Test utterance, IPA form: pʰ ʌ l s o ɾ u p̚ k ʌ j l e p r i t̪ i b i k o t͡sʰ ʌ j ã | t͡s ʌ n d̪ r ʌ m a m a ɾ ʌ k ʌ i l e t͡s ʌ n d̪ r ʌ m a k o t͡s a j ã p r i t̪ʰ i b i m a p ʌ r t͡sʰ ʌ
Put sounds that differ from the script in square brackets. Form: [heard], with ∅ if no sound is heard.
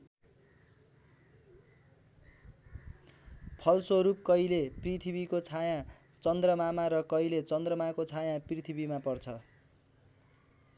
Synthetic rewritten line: pʰ ʌ l s o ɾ u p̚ k ʌ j l e p r i [t̪ʰ] i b i k o t͡sʰ [a] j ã | t͡s ʌ n d̪ r ʌ m a m a ɾ ʌ k ʌ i l e t͡s ʌ n d̪ r ʌ m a k o [t͡sʰ] a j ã p r i t̪ʰ i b i m a p ʌ r t͡sʰ ʌ